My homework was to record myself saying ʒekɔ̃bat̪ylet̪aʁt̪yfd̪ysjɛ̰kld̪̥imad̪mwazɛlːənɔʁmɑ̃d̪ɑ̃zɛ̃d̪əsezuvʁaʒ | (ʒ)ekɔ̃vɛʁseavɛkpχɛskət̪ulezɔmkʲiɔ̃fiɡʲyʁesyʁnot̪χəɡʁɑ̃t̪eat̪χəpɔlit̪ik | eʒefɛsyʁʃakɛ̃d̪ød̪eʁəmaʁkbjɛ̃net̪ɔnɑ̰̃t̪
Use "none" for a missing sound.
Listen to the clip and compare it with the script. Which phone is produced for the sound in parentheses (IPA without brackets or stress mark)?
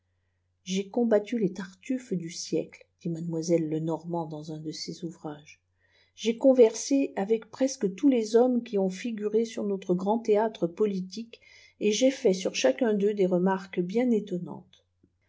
ʒ